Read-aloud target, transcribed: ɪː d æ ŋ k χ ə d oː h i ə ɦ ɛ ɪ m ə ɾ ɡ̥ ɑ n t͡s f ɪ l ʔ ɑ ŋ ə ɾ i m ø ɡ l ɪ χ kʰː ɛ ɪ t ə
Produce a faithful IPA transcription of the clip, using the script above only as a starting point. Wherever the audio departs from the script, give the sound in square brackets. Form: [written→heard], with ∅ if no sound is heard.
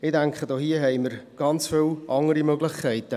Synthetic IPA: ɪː d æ ŋ k χ ə d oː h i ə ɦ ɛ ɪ m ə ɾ ɡ̥ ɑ n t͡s f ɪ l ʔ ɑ ŋ ə ɾ i m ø ɡ l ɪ χ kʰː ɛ ɪ t ə